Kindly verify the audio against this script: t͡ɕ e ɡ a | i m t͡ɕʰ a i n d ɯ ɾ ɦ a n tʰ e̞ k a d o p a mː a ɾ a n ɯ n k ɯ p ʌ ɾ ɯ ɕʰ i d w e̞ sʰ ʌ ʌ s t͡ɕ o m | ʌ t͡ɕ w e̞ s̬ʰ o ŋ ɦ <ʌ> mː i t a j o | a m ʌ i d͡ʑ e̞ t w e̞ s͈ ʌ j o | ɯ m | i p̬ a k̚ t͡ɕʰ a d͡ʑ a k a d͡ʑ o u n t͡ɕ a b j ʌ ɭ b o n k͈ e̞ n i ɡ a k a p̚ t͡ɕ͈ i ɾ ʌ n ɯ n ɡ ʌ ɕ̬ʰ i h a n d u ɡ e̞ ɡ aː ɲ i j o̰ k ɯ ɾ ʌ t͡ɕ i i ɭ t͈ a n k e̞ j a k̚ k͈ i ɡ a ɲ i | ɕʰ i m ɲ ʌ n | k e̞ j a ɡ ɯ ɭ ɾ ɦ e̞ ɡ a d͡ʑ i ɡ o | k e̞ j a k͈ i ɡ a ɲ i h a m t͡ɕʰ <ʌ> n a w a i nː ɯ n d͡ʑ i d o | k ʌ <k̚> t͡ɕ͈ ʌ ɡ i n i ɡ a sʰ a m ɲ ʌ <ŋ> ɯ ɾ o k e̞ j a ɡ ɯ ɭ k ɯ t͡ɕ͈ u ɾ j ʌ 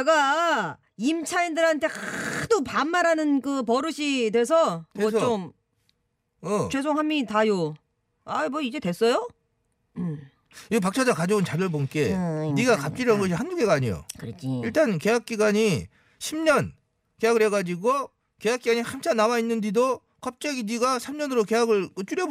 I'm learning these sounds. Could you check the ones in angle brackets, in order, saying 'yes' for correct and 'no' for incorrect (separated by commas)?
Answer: no, no, no, no